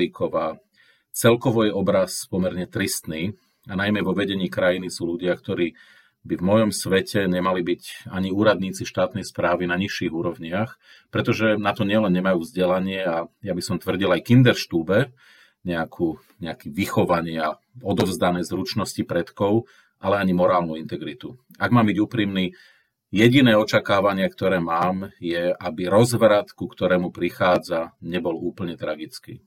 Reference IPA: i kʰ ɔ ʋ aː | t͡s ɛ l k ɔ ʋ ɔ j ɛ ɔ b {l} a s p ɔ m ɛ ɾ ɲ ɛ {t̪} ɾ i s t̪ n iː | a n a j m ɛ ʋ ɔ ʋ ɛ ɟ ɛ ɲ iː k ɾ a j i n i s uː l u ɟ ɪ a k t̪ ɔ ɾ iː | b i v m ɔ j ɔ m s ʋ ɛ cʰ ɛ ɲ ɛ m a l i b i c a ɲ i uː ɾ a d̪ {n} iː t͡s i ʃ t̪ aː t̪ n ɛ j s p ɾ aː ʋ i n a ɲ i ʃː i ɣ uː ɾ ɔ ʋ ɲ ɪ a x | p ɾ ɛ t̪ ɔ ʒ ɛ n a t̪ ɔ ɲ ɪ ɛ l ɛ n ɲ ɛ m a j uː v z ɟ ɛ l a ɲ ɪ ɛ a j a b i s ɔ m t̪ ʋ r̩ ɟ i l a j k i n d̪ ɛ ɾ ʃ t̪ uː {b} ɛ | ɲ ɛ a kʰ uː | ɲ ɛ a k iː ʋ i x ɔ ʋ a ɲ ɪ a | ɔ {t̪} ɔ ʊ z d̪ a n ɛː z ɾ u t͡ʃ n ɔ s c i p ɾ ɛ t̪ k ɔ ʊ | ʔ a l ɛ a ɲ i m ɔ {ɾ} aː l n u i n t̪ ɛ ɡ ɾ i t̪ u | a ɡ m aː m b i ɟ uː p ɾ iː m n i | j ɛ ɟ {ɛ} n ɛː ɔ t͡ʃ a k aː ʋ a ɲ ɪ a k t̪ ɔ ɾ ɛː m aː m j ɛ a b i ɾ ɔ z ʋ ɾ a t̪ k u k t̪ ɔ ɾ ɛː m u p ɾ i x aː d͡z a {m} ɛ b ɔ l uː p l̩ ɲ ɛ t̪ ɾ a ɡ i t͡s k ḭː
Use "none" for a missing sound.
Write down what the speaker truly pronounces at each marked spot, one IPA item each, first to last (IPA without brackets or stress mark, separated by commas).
ɾ, t̪, ɲ, b, d̪, ɾ, i, ɲ